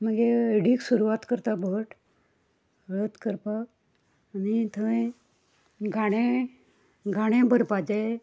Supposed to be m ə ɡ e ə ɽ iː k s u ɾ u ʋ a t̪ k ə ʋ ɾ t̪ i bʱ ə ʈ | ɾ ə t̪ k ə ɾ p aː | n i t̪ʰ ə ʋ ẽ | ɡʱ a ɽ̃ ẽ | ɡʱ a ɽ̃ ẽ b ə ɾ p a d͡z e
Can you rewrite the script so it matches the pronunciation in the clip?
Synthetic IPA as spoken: m ə ɡ e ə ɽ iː k s u ɾ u ʋ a t̪ k ə ɾ t̪ a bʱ ə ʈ | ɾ ə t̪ k ə ɾ p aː | n i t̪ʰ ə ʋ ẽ | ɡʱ a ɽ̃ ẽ | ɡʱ a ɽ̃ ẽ b ə ɾ p a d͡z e